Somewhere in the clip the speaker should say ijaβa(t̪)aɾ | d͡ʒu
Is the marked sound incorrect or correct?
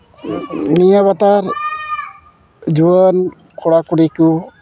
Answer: correct